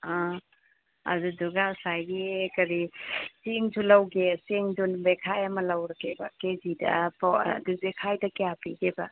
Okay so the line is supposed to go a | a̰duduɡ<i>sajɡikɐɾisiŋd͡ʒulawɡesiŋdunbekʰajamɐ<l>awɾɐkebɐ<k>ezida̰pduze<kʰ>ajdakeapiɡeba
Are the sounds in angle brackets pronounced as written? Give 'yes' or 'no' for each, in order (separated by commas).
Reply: no, yes, yes, yes